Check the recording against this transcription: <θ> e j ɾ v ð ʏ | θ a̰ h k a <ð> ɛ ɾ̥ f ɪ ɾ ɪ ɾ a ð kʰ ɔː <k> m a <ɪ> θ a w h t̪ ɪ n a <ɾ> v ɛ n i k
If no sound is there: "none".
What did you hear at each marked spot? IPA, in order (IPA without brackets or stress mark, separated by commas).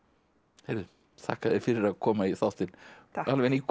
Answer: h, ð, none, i, l